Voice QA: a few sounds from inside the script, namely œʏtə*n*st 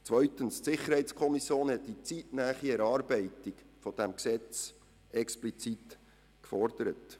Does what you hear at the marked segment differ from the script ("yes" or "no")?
no